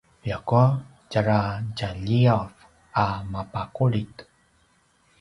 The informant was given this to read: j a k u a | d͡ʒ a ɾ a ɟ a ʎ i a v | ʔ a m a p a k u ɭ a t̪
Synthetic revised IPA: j a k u a | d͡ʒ a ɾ a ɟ a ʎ i a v | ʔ a m a p a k u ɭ i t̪